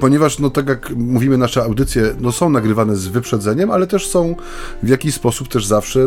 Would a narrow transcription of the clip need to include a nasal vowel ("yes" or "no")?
yes